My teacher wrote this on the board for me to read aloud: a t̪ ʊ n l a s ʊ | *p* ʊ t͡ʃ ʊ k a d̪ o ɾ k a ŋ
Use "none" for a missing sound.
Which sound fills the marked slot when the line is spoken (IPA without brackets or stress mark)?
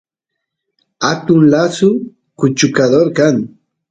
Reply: k